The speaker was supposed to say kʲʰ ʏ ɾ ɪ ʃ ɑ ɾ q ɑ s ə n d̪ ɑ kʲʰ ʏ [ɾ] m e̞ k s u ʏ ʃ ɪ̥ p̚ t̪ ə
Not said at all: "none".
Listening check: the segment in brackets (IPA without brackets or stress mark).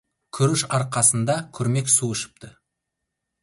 ɾ